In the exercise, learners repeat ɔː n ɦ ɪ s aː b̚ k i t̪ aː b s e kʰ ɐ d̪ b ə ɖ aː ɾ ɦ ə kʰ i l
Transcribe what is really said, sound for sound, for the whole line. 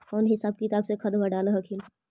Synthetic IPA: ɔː n ɦ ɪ s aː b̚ k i t̪ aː b s e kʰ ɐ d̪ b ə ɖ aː l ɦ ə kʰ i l